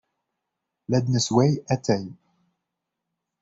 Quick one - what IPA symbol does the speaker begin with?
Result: l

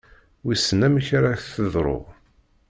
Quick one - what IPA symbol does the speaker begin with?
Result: w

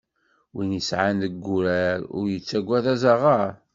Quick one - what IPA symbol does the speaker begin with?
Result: w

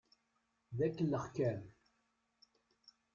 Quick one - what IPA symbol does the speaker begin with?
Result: ð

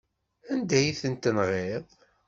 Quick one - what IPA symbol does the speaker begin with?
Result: æ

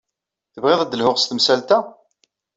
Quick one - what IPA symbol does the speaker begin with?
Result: θ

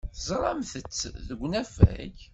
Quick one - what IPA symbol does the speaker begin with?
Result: θ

